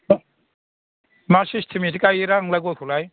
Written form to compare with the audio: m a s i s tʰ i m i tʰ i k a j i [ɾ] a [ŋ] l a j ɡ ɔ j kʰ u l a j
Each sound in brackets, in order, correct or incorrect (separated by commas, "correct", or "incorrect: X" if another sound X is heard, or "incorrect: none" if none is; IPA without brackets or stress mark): correct, correct